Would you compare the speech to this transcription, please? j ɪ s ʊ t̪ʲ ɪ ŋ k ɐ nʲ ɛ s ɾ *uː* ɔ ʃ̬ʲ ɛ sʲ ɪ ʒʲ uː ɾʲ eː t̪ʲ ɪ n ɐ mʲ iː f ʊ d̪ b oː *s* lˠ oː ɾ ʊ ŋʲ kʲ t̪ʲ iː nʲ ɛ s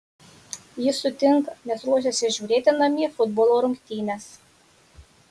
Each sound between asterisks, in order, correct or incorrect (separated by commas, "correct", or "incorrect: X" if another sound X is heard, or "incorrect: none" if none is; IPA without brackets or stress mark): incorrect: u, incorrect: none